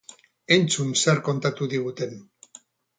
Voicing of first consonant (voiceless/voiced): voiced